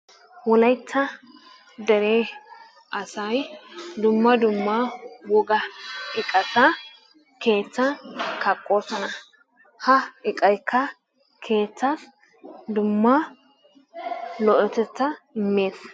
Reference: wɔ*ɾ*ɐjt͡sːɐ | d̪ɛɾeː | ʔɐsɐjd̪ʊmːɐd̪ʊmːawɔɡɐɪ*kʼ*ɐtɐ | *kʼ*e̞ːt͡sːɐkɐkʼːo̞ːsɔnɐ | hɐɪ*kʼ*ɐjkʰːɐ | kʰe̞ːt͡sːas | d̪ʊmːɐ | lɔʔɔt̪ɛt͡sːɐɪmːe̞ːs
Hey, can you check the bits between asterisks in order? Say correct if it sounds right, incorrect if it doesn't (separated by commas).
incorrect, correct, incorrect, correct